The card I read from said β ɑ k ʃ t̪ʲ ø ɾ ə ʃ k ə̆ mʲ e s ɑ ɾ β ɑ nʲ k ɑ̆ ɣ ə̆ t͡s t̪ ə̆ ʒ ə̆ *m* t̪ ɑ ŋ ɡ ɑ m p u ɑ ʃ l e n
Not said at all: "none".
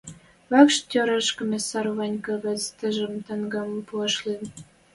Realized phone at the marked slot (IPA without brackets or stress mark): m